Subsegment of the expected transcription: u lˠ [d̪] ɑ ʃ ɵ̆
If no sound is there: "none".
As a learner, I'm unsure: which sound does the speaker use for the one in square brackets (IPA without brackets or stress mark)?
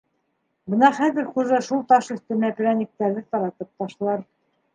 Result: t̪